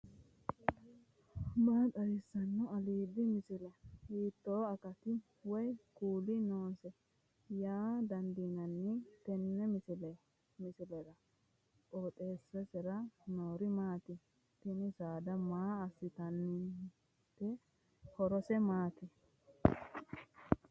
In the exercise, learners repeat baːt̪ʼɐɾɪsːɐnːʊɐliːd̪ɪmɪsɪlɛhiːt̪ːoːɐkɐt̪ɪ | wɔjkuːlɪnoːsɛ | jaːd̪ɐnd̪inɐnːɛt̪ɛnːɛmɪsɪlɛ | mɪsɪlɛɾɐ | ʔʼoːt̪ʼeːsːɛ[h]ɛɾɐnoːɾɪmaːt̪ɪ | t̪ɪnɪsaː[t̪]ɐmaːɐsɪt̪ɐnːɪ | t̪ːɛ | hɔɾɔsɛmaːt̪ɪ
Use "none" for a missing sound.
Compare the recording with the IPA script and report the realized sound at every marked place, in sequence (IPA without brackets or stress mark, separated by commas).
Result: s, d̪